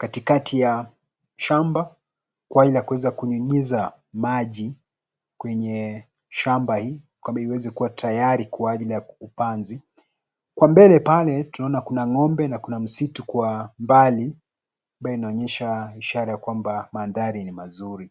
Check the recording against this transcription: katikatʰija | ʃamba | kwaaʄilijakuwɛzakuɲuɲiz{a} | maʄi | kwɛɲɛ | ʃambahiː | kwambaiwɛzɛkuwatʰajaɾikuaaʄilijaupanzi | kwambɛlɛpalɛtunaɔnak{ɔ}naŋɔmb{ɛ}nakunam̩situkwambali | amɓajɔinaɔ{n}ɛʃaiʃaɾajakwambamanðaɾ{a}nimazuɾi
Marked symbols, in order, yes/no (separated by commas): yes, no, yes, no, no